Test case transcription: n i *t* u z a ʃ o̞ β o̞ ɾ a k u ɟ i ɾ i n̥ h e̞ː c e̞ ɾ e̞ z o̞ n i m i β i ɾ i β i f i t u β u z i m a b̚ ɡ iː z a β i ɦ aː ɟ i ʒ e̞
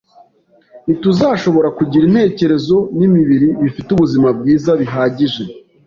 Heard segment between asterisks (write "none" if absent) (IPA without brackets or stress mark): t